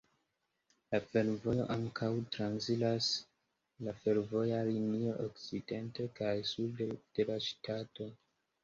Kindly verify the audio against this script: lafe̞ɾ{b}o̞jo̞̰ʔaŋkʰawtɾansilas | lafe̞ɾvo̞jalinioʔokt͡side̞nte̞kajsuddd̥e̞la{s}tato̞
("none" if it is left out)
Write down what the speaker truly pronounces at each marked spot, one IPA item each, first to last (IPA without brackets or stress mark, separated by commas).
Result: v, ʃ